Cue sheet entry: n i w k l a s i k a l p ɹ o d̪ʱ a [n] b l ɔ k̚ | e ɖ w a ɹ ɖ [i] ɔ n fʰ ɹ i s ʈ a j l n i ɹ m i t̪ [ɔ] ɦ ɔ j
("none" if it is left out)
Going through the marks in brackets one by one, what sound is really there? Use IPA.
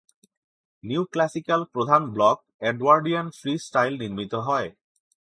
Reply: n, i, ɔ

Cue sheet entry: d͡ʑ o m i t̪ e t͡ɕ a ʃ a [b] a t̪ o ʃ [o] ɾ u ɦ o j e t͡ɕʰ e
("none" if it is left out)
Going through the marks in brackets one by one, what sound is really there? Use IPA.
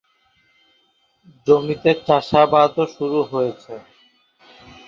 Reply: b, u

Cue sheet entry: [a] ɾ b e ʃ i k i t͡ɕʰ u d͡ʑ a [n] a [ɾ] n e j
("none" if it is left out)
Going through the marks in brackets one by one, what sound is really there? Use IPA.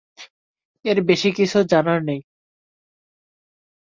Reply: e, n, ɾ

